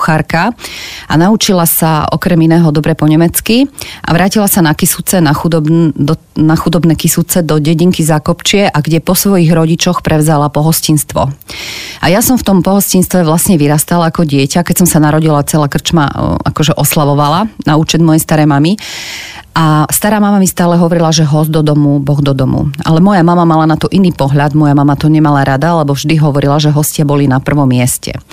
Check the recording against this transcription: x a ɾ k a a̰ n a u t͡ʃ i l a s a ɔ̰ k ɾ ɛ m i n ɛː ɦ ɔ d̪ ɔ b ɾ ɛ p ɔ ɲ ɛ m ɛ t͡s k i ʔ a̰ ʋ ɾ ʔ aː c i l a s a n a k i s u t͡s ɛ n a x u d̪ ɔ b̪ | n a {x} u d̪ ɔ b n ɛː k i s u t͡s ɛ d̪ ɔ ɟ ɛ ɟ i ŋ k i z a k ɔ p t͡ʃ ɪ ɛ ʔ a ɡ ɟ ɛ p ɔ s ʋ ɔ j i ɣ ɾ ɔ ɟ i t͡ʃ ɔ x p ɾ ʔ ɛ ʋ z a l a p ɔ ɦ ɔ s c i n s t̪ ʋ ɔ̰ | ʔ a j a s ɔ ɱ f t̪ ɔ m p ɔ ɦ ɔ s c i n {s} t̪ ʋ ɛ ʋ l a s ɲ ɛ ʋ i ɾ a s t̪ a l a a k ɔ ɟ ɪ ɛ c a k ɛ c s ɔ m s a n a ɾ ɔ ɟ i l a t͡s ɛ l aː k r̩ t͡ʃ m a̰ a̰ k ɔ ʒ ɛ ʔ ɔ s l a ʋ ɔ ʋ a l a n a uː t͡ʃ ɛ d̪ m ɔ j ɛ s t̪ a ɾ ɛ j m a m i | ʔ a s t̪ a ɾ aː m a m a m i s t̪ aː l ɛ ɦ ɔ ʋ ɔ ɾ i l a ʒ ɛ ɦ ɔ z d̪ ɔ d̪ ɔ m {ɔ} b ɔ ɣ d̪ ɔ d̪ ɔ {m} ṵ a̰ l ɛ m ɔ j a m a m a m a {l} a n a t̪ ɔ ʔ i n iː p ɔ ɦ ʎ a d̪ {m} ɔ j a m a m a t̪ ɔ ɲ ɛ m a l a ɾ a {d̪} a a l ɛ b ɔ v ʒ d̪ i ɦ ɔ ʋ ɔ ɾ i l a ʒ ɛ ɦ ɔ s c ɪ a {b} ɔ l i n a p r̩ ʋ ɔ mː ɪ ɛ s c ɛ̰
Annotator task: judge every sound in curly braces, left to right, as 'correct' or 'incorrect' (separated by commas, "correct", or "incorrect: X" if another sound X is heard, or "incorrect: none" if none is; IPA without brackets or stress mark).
correct, correct, incorrect: u, correct, correct, correct, correct, correct